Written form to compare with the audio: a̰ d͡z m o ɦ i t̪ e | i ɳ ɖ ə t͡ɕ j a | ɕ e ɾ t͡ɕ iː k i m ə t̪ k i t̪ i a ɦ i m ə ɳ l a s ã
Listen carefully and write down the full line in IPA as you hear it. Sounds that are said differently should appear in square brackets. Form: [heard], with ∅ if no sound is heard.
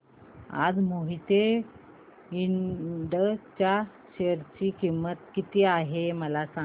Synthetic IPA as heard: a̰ d͡z m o ɦ i t̪ e | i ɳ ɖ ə t͡ɕ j a | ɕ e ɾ t͡ɕ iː k i m ə t̪ k i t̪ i a ɦ [e] m ə [∅] l a s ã